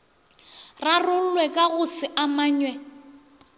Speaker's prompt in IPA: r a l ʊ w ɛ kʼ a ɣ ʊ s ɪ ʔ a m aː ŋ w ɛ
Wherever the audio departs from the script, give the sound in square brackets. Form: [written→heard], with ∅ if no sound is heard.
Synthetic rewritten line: r a [l→r] ʊ w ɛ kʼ a ɣ ʊ s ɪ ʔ a m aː [ŋ→ɲ] w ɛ